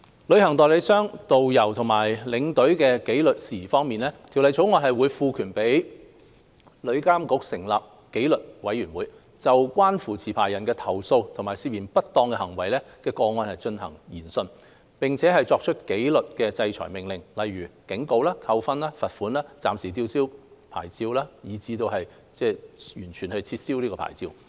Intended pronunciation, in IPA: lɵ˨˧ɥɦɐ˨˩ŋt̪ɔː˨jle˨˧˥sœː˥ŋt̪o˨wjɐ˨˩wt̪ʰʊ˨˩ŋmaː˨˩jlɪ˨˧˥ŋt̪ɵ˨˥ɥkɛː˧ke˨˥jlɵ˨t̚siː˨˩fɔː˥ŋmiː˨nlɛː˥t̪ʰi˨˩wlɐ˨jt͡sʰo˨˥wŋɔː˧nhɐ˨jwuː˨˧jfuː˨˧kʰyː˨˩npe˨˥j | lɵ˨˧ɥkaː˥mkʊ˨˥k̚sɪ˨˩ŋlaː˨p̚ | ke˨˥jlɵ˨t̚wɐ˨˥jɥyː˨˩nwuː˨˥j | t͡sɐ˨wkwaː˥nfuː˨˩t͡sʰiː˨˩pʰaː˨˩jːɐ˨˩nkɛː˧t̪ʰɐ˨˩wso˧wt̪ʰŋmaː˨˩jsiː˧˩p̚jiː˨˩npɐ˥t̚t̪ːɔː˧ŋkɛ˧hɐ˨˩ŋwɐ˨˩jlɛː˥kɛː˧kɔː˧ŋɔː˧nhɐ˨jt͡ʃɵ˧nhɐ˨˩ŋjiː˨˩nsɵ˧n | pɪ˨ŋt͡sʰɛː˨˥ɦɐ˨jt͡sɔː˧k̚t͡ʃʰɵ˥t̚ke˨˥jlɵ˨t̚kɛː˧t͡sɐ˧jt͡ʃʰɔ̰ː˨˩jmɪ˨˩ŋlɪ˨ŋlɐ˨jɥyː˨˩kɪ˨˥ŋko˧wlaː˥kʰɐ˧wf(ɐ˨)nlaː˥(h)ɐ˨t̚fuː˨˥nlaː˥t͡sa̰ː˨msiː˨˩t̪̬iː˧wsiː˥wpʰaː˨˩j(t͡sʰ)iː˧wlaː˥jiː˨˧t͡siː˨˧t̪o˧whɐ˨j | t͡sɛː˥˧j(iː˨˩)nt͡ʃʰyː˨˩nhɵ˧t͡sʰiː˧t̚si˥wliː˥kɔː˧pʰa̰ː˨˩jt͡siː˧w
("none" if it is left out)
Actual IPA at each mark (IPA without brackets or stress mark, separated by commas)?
ɐ˥, f, t͡s, yː˨˩